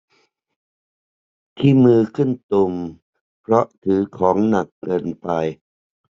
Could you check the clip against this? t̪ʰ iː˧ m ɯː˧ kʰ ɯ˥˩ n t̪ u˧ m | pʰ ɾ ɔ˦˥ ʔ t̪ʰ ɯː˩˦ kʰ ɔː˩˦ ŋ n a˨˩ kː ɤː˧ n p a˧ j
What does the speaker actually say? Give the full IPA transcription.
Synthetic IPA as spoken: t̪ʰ iː˥˩ m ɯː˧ kʰ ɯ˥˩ n t̪ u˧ m | pʰ ɾ ɔ˦˥ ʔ t̪ʰ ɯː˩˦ kʰ ɔː˩˦ ŋ n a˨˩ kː ɤː˧ n p a˧ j